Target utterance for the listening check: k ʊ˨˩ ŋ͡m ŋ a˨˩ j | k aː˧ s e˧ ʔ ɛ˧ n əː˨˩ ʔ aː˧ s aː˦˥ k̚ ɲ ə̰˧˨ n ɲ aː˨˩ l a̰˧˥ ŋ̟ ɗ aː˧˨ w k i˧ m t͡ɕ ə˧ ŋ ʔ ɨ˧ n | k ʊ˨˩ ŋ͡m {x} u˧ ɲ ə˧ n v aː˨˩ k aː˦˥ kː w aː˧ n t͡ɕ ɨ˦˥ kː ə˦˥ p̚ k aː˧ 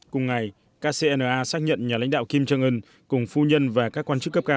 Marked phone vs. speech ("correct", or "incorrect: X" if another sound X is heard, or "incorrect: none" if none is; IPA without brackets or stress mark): incorrect: f